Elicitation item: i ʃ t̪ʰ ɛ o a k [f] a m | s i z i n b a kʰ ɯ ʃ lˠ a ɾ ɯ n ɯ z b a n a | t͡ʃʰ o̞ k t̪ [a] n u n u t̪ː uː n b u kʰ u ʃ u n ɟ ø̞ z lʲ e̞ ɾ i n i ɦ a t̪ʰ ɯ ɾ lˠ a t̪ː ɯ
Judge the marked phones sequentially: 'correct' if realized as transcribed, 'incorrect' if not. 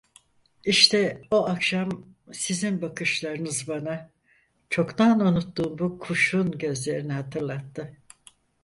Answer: incorrect: ʃ, correct

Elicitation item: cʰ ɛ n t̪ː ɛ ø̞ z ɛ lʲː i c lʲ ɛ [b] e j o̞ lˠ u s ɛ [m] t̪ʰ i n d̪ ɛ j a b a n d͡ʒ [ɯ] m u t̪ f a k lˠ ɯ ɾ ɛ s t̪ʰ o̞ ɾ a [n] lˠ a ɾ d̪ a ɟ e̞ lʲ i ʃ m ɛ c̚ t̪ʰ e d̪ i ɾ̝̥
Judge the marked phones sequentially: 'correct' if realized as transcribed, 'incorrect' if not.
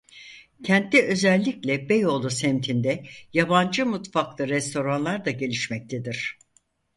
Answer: correct, correct, correct, correct

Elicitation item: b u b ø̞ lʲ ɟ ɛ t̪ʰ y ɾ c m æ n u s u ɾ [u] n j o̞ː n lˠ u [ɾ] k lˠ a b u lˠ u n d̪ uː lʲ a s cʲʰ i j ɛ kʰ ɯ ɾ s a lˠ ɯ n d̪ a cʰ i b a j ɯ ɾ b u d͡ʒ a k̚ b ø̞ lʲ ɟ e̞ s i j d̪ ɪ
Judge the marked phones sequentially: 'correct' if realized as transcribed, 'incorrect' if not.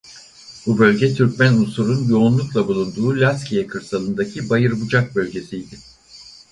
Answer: correct, incorrect: none

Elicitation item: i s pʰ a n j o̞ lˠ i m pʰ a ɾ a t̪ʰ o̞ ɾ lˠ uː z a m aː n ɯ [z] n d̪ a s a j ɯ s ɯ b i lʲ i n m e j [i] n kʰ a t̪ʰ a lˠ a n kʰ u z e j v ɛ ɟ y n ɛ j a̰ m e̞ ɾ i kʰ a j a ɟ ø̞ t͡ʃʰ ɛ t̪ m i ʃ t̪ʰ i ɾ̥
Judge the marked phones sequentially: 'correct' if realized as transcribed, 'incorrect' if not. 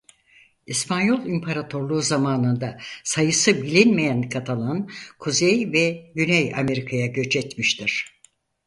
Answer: incorrect: none, incorrect: æ

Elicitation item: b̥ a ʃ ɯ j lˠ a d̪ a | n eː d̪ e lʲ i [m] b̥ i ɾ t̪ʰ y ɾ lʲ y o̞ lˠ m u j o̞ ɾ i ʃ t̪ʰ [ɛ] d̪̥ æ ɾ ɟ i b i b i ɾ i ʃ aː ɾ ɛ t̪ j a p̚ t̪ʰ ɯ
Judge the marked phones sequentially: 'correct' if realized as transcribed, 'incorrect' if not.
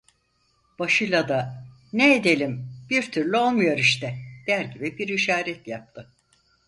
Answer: correct, correct

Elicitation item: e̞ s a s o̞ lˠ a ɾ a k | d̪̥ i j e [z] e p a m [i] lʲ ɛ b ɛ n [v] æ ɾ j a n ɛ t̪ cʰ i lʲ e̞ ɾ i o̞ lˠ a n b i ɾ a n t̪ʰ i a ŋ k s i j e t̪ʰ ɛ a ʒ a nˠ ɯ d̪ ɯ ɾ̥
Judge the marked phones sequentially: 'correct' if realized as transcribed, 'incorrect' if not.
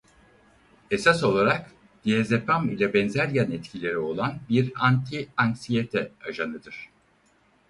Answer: correct, correct, incorrect: z

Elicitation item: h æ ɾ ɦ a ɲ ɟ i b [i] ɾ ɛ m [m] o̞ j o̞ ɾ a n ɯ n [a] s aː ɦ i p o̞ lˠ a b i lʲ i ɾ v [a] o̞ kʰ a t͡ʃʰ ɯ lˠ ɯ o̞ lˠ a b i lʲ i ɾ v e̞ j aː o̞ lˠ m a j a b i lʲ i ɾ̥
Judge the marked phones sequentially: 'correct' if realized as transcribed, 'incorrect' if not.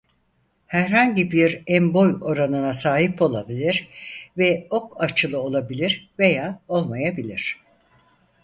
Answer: correct, incorrect: b, correct, incorrect: ɛ

